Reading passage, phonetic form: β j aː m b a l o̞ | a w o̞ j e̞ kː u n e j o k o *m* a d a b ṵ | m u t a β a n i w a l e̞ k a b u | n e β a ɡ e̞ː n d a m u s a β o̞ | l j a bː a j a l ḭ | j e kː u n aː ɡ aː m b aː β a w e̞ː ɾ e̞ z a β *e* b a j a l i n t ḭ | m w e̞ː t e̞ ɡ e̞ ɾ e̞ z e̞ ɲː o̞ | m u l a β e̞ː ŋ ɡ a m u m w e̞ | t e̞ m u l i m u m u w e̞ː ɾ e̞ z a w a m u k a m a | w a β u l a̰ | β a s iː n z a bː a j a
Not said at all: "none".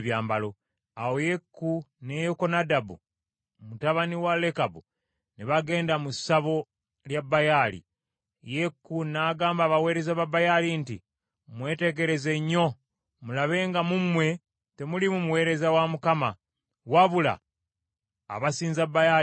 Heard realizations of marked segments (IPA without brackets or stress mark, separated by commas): n, a